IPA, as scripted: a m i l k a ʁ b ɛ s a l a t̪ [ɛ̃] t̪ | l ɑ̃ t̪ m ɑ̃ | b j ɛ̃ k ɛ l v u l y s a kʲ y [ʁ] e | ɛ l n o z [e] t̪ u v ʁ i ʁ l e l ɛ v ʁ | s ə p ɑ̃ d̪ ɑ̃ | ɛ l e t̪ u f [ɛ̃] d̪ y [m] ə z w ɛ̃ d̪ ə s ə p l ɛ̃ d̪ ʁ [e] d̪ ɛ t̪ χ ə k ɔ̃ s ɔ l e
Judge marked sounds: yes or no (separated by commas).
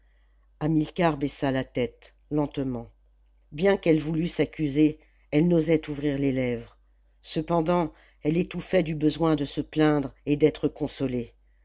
no, no, no, no, no, yes